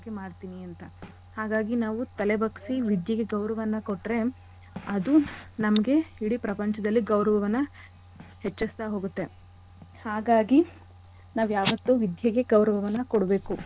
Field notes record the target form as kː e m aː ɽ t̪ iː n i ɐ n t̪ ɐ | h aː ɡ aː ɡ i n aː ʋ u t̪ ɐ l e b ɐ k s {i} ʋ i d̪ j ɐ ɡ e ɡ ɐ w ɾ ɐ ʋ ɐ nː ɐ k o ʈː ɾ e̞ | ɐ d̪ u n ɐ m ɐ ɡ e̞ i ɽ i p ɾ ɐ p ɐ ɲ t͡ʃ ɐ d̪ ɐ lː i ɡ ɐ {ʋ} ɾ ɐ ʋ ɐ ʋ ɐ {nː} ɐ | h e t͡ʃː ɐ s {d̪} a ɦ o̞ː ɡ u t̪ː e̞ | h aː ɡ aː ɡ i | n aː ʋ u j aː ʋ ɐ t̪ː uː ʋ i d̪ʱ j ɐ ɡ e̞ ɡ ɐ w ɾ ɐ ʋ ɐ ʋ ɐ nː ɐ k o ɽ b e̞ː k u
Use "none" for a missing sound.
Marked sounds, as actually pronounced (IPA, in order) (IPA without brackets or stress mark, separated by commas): i, w, nː, t̪